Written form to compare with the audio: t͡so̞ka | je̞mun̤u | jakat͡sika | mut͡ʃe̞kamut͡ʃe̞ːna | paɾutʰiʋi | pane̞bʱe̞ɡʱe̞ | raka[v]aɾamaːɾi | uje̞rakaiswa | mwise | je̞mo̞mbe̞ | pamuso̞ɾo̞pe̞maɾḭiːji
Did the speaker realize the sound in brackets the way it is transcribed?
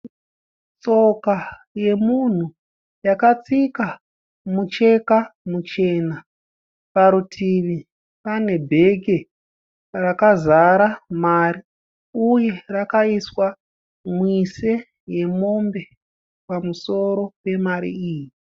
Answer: no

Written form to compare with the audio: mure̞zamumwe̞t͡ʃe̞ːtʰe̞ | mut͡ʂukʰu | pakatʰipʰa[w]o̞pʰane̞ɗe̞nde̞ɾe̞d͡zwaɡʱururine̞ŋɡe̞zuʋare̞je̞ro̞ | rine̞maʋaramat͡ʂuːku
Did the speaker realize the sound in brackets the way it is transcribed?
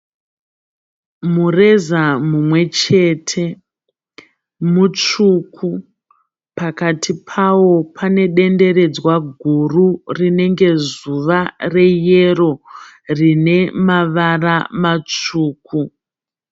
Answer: yes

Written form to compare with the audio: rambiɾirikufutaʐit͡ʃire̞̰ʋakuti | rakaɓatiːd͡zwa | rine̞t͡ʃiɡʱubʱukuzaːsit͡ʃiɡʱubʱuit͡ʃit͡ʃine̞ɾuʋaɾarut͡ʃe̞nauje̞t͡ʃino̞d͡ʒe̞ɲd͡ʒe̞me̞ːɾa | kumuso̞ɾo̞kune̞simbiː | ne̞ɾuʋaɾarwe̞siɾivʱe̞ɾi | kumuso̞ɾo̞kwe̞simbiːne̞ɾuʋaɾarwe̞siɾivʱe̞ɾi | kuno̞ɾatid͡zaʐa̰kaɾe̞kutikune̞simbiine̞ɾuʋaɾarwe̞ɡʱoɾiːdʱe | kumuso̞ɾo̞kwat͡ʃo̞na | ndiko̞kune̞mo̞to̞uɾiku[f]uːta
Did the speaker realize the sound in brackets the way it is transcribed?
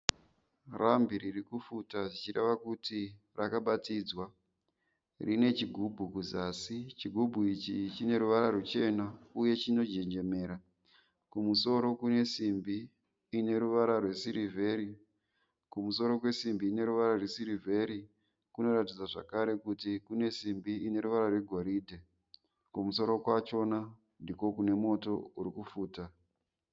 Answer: yes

